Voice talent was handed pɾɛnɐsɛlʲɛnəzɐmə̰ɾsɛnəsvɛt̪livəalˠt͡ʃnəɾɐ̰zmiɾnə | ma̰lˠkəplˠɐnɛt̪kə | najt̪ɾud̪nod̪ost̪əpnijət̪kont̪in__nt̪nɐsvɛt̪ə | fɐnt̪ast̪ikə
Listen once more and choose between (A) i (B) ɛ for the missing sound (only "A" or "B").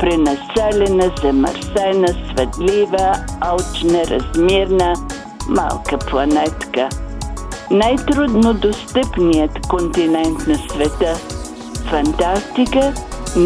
B